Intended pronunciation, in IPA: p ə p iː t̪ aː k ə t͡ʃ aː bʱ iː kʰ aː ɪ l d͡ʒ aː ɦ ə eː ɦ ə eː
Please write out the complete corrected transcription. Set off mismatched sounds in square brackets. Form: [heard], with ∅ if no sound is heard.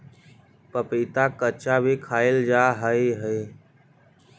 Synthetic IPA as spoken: p ə p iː t̪ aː k ə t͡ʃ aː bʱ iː kʰ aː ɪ l d͡ʒ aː ɦ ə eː ɦ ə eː